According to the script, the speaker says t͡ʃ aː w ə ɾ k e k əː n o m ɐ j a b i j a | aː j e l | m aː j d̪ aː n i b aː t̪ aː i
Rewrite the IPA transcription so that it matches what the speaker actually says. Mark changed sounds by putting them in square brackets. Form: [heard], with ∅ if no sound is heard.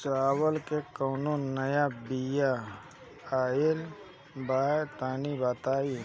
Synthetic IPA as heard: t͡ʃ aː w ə [l] k e k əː n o [n] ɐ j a b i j a | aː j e l | [b] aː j [t̪] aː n i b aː t̪ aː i